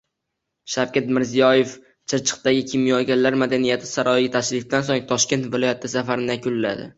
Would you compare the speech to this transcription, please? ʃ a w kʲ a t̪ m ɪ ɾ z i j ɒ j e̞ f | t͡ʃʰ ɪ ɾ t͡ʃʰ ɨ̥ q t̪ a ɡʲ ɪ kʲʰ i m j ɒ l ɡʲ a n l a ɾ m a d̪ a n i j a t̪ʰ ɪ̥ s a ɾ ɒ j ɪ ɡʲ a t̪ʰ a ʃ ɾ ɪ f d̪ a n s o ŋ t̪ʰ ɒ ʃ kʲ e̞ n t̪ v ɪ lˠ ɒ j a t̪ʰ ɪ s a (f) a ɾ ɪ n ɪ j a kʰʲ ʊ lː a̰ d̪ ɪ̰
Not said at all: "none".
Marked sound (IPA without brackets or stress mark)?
f